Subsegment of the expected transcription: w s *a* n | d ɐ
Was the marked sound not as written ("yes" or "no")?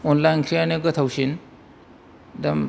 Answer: yes